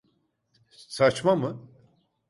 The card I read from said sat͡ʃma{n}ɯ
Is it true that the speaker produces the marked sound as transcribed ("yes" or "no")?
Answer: no